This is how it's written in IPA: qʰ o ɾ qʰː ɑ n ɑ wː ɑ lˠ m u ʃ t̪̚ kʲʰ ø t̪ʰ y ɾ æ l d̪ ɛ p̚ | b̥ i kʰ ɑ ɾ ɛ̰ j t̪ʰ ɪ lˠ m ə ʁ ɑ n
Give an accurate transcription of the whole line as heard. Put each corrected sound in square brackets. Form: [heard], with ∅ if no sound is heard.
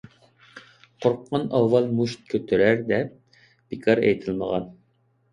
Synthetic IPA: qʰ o ɾ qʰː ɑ n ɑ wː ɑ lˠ m u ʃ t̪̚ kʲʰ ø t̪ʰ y ɾ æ [ɾ] d̪ ɛ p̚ | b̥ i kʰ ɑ ɾ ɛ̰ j t̪ʰ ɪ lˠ m ə ʁ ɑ n